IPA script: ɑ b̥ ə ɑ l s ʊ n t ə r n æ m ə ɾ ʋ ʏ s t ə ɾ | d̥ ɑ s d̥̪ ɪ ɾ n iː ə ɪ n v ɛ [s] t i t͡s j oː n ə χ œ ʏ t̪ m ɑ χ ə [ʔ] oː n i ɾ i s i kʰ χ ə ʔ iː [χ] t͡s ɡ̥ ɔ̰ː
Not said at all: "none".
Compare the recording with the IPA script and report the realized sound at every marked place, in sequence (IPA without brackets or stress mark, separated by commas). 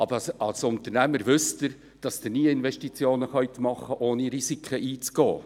ʃ, ʔ, none